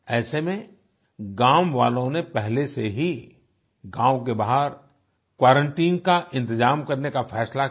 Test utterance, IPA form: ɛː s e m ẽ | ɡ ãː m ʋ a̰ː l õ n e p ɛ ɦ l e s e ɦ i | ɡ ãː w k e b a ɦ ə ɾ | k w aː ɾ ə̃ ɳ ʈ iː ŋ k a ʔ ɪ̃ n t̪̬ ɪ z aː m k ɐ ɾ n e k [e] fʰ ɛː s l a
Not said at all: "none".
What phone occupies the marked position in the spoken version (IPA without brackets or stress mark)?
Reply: a